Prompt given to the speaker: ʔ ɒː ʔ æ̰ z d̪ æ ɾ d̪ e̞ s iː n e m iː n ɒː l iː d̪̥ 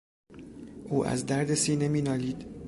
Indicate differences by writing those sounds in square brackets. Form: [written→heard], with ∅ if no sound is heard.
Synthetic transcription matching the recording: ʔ [ɒː→uː] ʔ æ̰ z d̪ æ ɾ d̪ e̞ s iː n e m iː n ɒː l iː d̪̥